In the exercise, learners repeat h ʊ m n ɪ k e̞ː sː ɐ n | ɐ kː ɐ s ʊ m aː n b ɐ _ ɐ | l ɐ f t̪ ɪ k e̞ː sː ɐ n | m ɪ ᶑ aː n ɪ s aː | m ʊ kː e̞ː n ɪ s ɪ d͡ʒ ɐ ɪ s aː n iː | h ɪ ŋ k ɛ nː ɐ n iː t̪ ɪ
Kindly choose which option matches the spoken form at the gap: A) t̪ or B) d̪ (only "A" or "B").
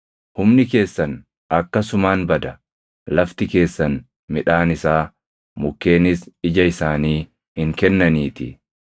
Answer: B